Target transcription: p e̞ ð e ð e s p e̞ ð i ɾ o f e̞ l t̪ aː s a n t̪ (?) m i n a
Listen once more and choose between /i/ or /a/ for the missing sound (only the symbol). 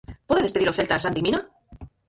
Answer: i